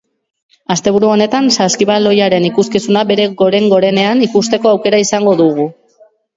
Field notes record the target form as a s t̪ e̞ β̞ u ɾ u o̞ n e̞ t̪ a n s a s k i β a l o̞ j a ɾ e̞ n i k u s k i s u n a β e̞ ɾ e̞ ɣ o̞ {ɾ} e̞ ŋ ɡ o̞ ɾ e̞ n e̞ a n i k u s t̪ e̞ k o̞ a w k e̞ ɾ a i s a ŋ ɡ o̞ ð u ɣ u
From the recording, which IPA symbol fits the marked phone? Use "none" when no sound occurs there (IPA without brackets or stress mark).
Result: ɾ